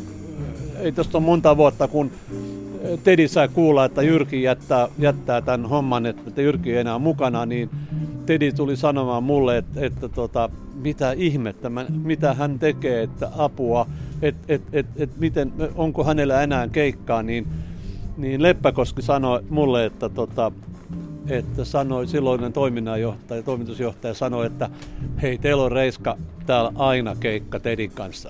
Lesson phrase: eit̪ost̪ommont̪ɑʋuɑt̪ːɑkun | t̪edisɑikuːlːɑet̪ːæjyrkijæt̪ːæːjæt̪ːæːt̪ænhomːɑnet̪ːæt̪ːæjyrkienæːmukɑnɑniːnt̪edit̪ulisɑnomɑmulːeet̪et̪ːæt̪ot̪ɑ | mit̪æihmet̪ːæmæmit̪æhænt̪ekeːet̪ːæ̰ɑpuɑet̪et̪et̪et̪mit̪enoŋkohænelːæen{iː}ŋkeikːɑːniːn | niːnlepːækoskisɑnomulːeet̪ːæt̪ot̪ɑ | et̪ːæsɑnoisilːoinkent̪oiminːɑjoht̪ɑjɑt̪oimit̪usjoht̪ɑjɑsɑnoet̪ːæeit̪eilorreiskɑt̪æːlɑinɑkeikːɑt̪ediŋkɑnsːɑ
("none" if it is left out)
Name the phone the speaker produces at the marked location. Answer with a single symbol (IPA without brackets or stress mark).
æː